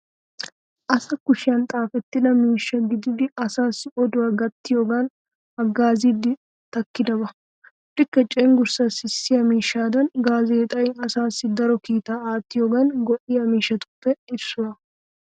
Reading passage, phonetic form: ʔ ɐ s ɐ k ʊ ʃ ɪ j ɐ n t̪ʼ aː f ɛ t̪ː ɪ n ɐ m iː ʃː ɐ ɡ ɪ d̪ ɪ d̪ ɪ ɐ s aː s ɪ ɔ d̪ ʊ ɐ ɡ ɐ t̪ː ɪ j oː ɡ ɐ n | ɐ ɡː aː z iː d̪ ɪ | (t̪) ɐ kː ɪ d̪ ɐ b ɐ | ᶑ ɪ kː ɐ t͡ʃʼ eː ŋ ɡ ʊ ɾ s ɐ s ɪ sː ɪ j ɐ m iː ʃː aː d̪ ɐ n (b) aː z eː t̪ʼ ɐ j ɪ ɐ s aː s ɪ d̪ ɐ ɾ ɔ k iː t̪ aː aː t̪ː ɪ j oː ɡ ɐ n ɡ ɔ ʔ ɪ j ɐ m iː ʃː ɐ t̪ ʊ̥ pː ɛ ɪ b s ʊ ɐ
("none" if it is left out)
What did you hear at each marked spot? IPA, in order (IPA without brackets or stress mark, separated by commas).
t̪, ɡ